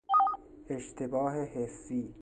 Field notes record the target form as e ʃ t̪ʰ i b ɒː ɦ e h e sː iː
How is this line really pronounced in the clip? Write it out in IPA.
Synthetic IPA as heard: e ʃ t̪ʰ e b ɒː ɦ e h e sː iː